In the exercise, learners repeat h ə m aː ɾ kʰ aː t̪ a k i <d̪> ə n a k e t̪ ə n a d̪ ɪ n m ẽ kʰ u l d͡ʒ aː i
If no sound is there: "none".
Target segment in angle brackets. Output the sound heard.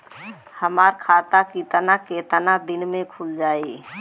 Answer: t̪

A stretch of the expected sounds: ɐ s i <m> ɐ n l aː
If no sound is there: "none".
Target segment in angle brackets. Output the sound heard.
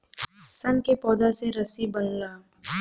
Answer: b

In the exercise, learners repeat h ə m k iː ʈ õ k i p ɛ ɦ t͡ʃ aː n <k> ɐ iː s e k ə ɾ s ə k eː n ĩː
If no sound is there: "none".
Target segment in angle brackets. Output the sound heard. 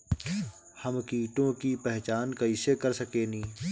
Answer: k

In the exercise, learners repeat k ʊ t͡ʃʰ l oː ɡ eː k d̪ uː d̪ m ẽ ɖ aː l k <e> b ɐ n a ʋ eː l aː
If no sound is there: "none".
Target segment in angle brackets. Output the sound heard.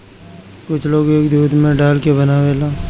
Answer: e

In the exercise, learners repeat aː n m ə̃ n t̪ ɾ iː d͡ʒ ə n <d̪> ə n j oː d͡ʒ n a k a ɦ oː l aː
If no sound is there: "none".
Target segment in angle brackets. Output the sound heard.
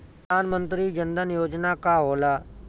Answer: d̪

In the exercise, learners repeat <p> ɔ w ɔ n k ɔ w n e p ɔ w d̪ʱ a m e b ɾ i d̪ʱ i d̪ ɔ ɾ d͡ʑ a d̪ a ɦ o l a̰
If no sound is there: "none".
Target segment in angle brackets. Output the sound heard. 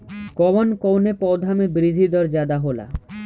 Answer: k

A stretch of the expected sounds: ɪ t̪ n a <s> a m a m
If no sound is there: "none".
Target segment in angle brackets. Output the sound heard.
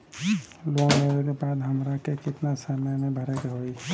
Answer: s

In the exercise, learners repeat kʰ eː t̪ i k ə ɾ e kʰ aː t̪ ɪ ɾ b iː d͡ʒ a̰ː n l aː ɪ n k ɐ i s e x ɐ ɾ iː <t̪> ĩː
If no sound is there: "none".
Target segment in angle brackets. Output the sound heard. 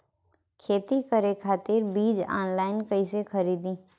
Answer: d̪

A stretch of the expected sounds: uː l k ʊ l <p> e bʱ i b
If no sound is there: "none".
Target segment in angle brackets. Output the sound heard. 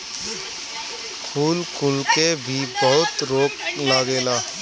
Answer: k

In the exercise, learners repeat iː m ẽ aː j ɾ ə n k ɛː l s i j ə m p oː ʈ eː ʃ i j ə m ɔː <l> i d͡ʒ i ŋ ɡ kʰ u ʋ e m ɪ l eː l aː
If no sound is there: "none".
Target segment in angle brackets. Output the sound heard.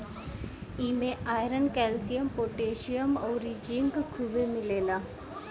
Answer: ɾ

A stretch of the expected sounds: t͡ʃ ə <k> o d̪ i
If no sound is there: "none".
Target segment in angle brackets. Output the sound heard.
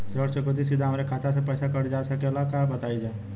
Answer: k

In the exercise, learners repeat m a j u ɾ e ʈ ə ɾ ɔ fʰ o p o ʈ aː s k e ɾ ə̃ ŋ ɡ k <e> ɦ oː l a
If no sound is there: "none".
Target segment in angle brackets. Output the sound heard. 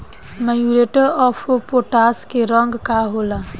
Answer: a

